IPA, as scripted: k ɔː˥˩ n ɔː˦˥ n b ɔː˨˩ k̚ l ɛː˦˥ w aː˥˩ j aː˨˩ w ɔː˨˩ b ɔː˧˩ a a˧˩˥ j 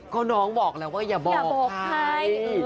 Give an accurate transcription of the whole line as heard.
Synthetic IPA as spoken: k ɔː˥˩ n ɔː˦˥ ŋ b ɔː˨˩ k̚ l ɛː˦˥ w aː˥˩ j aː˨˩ b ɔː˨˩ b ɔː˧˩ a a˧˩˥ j